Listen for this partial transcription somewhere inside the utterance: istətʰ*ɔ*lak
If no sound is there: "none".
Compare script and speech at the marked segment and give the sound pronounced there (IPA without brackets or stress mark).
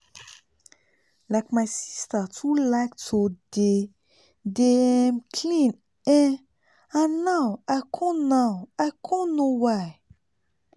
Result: u